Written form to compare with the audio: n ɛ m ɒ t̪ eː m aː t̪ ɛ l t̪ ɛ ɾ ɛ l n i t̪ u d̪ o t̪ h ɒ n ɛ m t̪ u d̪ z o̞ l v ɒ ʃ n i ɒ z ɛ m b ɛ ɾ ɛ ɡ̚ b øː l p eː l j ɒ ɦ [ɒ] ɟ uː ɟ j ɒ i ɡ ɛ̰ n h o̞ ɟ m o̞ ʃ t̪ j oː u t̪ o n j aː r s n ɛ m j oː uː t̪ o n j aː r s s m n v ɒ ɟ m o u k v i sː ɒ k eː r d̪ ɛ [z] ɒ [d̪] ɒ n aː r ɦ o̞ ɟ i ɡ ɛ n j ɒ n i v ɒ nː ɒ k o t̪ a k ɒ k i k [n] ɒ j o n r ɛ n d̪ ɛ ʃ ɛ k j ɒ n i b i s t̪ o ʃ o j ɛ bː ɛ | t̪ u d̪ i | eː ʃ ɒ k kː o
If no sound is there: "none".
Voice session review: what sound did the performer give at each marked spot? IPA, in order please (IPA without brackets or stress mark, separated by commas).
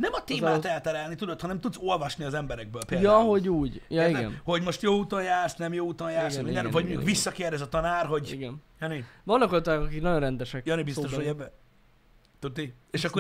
o, z, t̪, n